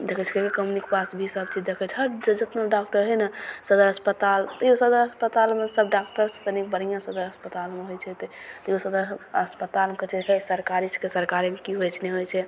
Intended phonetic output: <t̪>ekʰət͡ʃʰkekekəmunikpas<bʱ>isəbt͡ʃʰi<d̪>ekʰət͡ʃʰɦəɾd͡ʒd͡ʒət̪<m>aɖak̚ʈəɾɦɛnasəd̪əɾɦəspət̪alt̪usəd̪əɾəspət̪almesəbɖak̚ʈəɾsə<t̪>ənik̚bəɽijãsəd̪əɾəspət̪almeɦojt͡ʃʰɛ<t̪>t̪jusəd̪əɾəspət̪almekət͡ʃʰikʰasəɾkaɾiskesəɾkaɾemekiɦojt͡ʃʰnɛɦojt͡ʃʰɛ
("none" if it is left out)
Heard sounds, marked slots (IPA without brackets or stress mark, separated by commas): d̪, bʱ, d̪, n, t̪, t̪